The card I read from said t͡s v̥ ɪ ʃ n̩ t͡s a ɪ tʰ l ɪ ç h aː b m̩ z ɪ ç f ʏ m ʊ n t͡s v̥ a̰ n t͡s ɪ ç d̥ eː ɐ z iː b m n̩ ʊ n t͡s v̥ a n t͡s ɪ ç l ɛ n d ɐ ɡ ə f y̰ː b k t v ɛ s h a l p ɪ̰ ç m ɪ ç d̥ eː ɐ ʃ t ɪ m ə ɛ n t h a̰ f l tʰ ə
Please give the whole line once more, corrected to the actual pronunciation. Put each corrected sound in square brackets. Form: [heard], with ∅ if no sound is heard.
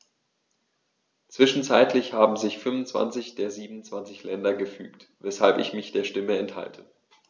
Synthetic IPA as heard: t͡s v̥ ɪ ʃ n̩ t͡s a ɪ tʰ l ɪ ç h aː b m̩ z ɪ ç f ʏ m ʊ n t͡s v̥ a̰ n t͡s ɪ ç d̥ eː ɐ z iː b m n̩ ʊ n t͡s v̥ a n t͡s ɪ ç l ɛ n d ɐ ɡ ə f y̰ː [∅] k t v ɛ s h a l p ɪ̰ ç m ɪ ç d̥ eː ɐ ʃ t ɪ m ə ɛ n t h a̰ [∅] l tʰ ə